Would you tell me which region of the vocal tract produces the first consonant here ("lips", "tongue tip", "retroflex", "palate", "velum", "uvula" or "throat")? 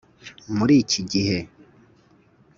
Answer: lips